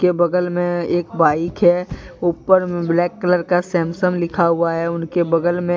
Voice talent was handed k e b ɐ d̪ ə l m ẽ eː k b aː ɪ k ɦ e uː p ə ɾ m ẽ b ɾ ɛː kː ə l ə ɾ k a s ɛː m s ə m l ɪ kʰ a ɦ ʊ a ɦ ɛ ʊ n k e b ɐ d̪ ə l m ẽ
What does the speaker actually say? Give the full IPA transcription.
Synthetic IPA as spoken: k e b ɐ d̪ ə l m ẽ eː k b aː ɪ k ɦ ɛ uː p ə ɾ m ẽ b l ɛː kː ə l ə ɾ k a s ɛː m s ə m l ɪ kʰ a ɦ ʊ a ɦ ɛ ʊ n k e b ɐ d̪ ə l m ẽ